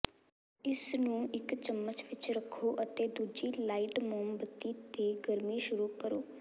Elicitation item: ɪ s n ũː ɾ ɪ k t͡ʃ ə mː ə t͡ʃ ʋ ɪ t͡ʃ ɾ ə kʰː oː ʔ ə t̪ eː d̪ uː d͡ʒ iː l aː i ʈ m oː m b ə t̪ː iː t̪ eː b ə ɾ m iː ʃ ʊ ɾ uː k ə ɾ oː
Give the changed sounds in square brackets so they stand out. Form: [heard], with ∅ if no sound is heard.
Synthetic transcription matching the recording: ɪ s n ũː [∅] ɪ k t͡ʃ ə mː ə t͡ʃ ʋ ɪ t͡ʃ ɾ ə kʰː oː ʔ ə t̪ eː d̪ uː d͡ʒ iː l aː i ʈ m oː m b ə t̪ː iː t̪ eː [ɡ] ə ɾ m iː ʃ ʊ ɾ uː k ə ɾ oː